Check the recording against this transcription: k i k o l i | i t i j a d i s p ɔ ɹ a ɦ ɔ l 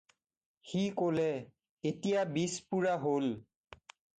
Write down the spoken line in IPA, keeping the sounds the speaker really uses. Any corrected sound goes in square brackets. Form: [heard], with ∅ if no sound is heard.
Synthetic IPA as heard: [x] i k o l [ɛ] | [e] t i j a [b] i s p [u] ɹ a ɦ [o] l